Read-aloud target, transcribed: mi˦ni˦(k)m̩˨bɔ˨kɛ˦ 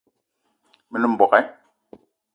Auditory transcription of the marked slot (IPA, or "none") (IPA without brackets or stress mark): none